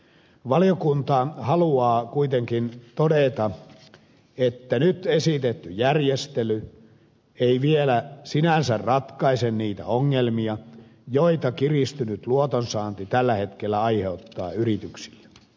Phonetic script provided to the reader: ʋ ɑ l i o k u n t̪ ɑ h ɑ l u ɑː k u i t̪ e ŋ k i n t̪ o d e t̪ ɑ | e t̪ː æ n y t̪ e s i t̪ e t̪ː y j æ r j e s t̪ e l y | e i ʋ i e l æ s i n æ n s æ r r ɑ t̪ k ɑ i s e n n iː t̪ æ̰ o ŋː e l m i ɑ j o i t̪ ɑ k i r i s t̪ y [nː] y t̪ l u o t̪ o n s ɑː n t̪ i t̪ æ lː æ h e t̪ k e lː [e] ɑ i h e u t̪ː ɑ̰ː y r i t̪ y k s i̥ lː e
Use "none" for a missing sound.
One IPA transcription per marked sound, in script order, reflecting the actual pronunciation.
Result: n, æ

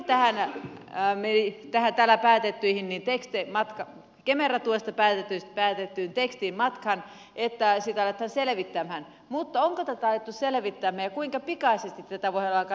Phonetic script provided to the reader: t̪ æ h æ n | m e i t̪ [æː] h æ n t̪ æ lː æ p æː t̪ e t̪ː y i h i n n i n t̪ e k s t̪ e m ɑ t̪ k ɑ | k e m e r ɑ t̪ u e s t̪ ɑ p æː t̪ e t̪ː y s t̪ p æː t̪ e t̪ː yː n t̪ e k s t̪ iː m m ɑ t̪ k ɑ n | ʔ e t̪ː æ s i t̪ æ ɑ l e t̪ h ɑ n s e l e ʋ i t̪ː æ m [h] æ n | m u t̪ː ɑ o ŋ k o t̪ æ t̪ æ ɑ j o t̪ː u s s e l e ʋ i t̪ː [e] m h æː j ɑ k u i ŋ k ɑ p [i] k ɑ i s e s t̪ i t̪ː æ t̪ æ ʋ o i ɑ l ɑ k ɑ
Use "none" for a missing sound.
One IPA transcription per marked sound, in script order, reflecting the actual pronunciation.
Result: æ, h, æ, i

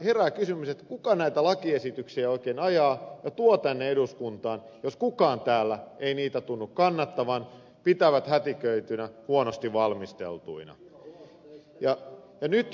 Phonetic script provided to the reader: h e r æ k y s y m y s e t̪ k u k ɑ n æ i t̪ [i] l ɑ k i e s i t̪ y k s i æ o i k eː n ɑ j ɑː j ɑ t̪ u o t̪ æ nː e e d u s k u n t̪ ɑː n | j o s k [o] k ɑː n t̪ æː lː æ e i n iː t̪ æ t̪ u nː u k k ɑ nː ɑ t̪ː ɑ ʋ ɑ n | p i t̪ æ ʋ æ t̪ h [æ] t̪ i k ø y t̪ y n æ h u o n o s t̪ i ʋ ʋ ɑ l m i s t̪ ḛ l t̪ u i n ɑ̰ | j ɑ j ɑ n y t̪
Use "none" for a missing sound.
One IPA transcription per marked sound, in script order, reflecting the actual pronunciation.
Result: æ, u, æ

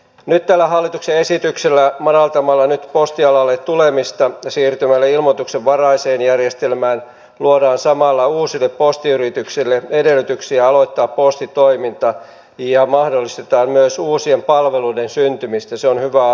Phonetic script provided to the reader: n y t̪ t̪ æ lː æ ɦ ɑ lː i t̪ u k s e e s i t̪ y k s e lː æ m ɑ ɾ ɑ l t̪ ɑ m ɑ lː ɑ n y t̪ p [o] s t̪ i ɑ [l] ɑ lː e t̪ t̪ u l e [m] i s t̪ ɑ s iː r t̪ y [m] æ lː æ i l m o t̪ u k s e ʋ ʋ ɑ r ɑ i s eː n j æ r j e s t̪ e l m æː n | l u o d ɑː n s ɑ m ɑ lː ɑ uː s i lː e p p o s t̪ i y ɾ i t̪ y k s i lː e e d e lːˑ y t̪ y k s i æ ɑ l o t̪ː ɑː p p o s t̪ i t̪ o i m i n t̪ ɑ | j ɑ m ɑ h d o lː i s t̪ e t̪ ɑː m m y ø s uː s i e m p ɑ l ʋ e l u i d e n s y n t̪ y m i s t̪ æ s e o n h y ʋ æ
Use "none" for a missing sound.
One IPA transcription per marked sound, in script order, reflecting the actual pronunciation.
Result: o, l, m, m

